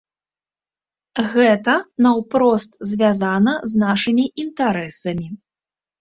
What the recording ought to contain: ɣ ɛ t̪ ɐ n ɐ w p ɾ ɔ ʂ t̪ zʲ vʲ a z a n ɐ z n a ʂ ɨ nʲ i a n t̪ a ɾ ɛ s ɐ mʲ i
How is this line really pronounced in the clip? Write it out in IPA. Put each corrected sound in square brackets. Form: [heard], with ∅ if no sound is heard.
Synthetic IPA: ɣ ɛ t̪ ɐ n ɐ w p ɾ ɔ [s] t̪ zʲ vʲ a z a n ɐ z n a ʂ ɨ [mʲ] i [i] n t̪ a ɾ ɛ s ɐ mʲ i